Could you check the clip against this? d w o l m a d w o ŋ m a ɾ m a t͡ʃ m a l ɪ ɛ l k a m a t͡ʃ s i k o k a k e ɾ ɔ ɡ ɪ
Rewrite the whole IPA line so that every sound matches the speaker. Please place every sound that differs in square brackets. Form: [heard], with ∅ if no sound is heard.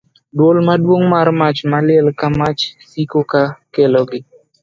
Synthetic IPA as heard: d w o l m a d w o ŋ m a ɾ m a t͡ʃ m a l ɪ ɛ l k a m a t͡ʃ s i k o k a k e [l] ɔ ɡ ɪ